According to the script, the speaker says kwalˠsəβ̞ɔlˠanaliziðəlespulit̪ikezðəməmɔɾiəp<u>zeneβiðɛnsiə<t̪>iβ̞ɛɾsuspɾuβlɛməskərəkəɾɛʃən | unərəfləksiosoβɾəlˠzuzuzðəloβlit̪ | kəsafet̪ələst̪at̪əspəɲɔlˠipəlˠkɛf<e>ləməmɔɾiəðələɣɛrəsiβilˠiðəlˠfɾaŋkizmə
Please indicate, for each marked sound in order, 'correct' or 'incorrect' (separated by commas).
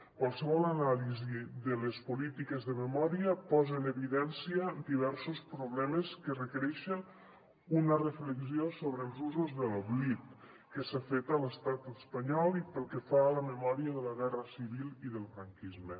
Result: incorrect, incorrect, incorrect